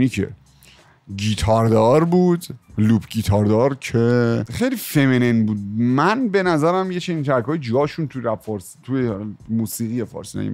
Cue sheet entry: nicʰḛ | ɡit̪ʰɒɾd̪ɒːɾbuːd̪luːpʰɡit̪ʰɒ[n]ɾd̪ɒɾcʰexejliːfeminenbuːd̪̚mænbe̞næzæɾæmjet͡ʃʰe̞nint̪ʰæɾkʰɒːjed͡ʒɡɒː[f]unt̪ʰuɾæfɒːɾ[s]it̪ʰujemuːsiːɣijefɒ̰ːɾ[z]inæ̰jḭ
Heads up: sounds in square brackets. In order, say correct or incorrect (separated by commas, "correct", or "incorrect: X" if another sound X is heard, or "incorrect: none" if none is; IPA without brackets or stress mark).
incorrect: none, incorrect: ʃ, correct, incorrect: s